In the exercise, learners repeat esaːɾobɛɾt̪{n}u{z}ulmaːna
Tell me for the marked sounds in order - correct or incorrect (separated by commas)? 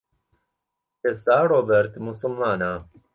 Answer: incorrect, incorrect